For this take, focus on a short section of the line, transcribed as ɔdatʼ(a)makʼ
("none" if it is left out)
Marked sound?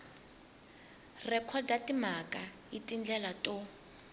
i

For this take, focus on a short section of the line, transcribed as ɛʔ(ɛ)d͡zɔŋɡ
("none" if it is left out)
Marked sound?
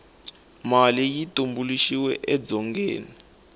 ɛ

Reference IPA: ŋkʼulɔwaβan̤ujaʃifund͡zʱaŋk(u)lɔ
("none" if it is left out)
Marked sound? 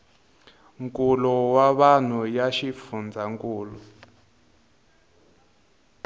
uː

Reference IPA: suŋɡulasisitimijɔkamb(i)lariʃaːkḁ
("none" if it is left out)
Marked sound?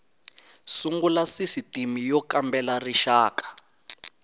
ɛ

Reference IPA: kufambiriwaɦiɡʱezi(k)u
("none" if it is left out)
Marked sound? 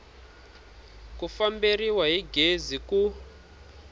k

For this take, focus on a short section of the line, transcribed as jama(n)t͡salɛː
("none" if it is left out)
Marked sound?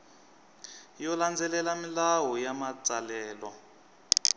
none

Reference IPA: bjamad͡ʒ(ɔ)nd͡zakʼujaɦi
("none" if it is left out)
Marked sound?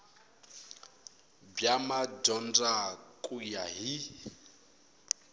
ɔ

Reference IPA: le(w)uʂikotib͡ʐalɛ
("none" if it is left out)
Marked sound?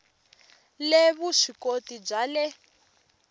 β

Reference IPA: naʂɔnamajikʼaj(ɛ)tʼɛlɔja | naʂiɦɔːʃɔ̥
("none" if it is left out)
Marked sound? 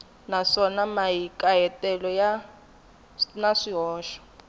ɛ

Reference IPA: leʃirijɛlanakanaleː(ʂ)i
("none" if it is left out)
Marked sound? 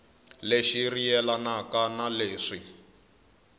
ʂ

